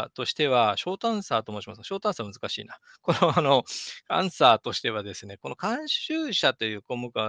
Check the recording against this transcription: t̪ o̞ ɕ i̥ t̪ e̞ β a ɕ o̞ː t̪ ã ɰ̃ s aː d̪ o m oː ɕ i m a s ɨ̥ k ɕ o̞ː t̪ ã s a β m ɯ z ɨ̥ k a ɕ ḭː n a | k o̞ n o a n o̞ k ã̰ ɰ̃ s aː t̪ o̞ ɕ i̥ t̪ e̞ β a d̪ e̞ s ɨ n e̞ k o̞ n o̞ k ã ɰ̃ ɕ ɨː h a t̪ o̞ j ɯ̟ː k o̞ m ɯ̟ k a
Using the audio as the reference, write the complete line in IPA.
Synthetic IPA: t̪ o̞ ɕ i̥ t̪ e̞ β a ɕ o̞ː t̪ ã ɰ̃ s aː t̪ o m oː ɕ i m a s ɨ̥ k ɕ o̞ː t̪ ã s a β m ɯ z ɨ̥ k a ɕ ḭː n a | k o̞ n o a n o̞ k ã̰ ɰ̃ s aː t̪ o̞ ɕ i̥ t̪ e̞ β a d̪ e̞ s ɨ n e̞ k o̞ n o̞ k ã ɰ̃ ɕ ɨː ɕ a t̪ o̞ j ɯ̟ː k o̞ m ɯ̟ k a